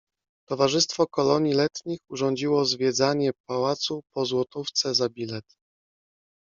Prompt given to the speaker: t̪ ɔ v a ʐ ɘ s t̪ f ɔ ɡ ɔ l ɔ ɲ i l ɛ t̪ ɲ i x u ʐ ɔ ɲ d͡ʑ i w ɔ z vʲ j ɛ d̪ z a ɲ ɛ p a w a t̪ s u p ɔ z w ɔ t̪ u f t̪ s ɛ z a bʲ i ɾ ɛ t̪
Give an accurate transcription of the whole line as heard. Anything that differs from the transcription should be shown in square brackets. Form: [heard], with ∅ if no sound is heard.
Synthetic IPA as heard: t̪ ɔ v a ʐ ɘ s t̪ f ɔ [k] ɔ l ɔ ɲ i l ɛ t̪ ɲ i x u ʐ ɔ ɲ d͡ʑ i w ɔ z vʲ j ɛ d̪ z a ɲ ɛ p a w a t̪ s u p ɔ z w ɔ t̪ u f t̪ s ɛ z a bʲ i [l] ɛ t̪